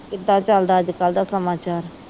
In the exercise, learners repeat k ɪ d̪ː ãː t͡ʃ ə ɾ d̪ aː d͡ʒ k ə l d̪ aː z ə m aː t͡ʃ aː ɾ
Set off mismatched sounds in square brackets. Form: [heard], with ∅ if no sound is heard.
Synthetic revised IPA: k ɪ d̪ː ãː t͡ʃ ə [l] d̪ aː d͡ʒ k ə l d̪ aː [s] ə m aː t͡ʃ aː ɾ